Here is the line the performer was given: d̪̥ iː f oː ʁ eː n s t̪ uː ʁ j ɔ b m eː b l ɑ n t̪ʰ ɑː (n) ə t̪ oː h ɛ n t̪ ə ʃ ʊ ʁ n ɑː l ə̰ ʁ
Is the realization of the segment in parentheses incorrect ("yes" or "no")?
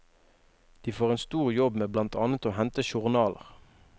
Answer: no